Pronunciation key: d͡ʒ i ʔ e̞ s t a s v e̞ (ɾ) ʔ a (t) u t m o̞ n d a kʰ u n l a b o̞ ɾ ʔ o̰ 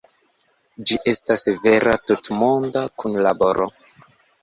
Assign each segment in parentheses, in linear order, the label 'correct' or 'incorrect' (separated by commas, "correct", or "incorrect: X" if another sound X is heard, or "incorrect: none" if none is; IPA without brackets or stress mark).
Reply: correct, correct